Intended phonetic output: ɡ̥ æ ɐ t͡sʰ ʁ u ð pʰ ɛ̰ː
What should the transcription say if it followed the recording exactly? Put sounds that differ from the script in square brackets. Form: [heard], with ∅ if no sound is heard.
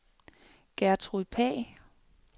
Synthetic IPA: ɡ̥ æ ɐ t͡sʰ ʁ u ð pʰ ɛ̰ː